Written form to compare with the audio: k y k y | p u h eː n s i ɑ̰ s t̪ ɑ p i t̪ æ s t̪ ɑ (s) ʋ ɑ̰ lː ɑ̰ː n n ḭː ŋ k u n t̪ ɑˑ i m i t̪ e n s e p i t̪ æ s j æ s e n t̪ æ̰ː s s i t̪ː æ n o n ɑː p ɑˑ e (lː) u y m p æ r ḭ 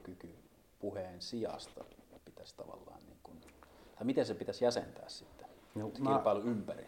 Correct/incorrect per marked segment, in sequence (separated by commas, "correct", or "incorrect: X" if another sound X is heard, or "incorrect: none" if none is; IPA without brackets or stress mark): incorrect: none, incorrect: l